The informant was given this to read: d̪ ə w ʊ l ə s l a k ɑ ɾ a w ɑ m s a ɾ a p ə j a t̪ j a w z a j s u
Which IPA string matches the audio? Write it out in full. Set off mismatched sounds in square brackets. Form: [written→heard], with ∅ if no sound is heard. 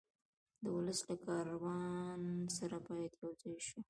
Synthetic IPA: d̪ ə w ʊ l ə s l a k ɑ ɾ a w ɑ [m→n] s a ɾ a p [ə→ɑ] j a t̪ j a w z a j [s→ʃ] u